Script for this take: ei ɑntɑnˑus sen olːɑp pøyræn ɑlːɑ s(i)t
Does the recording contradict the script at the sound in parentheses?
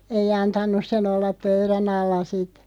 no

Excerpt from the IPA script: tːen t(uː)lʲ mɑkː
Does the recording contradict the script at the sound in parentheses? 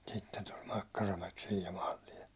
yes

